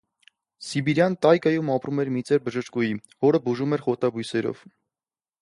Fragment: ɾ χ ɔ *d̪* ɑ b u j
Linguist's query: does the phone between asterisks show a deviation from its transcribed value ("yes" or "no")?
yes